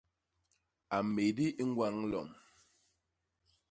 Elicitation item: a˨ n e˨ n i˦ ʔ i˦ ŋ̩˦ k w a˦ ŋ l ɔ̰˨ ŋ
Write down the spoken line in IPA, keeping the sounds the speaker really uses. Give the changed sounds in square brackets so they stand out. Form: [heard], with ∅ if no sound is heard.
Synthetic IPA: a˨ [m] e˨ [d] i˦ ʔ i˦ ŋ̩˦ [ɡ] w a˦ ŋ l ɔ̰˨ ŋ